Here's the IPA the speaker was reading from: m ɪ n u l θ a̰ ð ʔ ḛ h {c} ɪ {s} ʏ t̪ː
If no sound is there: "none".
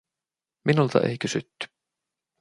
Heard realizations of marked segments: c, s

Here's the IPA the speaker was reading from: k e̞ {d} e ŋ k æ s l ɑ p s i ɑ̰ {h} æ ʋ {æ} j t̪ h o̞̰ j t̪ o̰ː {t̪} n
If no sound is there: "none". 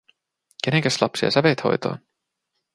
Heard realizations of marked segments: n, s, e, none

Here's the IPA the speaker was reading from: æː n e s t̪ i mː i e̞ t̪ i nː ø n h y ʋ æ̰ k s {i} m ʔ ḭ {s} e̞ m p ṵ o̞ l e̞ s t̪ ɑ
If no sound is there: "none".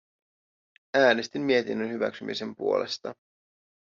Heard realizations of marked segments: y, s

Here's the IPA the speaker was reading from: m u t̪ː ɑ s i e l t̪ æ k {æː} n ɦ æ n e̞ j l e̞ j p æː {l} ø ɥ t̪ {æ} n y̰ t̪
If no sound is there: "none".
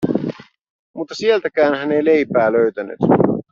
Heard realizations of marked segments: æː, l, æ

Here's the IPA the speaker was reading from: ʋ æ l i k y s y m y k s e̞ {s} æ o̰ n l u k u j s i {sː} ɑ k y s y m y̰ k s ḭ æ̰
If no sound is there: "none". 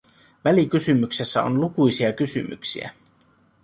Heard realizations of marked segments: sː, none

